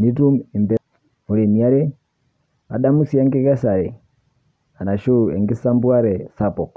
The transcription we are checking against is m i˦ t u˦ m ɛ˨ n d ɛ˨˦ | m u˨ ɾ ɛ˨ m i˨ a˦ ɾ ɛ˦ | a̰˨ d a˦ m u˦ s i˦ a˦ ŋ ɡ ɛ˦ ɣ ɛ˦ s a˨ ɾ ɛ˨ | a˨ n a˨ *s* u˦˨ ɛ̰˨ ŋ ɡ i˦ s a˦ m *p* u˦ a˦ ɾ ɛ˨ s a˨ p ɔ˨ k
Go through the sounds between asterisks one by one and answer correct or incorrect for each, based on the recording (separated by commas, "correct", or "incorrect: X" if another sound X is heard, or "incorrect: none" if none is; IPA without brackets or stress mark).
incorrect: ʃ, incorrect: b